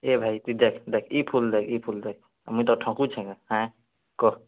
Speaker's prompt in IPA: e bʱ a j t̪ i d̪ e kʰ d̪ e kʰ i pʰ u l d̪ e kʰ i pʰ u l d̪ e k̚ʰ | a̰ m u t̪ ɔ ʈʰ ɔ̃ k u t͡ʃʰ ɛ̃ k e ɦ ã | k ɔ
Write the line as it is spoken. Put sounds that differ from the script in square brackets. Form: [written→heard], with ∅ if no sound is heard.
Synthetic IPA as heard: e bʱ a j t̪ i d̪ e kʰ d̪ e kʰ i pʰ u l d̪ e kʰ i pʰ u l d̪ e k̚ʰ | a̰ m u t̪ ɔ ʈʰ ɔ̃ k u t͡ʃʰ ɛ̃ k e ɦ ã | k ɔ